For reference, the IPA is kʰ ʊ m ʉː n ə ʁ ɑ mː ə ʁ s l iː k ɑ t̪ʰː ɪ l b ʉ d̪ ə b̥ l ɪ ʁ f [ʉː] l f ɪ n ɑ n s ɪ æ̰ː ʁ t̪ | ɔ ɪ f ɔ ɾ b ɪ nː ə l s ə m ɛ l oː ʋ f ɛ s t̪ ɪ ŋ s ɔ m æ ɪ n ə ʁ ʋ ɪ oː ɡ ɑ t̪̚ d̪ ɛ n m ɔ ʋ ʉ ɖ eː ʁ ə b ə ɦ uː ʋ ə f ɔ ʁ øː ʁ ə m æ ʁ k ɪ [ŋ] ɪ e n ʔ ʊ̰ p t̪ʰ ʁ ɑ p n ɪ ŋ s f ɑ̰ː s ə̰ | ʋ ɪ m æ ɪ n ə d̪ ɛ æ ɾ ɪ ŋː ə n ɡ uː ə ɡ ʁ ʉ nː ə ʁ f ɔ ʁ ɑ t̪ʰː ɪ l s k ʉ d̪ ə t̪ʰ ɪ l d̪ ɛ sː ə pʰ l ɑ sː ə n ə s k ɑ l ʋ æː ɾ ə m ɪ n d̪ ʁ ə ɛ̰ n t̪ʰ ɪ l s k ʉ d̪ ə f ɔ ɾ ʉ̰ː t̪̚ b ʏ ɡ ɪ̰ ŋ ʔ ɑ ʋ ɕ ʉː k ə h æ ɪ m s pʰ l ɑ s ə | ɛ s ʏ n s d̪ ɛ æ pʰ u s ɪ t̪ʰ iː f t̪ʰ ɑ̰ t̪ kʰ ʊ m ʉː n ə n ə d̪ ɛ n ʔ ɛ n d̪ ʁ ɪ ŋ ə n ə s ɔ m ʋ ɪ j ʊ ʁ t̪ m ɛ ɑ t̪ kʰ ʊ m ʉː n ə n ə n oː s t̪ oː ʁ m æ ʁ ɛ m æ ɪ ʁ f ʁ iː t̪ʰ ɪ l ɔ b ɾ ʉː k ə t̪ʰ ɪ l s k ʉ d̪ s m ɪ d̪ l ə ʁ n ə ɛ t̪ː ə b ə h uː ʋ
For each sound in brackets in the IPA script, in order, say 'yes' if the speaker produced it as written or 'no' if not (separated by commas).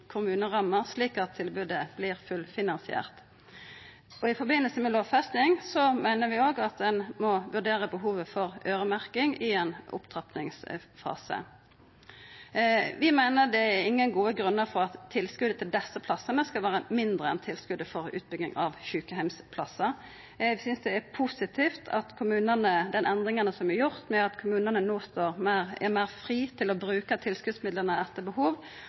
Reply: no, yes